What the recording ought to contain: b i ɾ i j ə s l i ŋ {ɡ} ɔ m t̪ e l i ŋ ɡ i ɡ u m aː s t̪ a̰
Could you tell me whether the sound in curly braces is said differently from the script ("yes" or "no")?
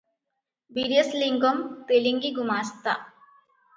no